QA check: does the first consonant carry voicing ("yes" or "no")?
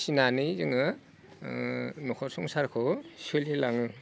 no